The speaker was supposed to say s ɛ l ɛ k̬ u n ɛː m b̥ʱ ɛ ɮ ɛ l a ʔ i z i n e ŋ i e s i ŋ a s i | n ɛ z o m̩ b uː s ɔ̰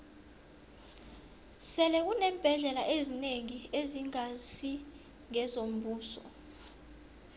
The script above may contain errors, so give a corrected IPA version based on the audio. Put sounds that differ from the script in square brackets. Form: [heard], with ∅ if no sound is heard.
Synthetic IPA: s ɛ l ɛ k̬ u n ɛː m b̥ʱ ɛ ɮ ɛ l a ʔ [e] z i n e ŋ i e [z] i ŋ a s i | [ŋ] ɛ z o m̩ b uː s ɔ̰